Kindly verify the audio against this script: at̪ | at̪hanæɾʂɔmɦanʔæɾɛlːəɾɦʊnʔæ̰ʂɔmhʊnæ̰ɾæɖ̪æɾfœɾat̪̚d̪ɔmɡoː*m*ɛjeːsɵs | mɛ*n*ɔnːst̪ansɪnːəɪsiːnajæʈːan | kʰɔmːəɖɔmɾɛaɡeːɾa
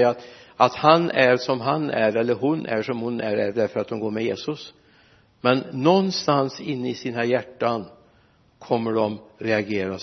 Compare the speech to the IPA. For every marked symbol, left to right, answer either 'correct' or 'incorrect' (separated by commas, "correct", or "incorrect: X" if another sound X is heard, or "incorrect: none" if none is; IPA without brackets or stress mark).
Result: correct, incorrect: nː